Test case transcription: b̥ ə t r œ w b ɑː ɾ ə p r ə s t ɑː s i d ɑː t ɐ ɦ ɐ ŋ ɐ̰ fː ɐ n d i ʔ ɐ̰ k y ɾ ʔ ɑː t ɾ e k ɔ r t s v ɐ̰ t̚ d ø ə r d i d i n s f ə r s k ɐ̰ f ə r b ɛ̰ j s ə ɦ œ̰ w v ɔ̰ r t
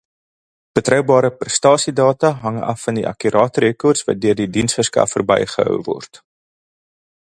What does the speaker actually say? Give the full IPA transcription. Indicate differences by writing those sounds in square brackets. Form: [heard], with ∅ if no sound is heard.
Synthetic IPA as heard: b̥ ə t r œ w b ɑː ɾ ə p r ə s t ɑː s i d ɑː t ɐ ɦ ɐ ŋ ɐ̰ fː ɐ n d i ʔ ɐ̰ k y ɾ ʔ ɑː t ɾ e k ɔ r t s v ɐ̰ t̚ d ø ə r d i d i n s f ə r s k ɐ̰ f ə r b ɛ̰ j [χ] ə ɦ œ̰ w v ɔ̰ r t